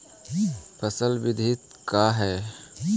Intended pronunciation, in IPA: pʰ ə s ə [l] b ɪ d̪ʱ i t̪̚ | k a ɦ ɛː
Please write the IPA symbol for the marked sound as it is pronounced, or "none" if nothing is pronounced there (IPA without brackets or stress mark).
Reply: l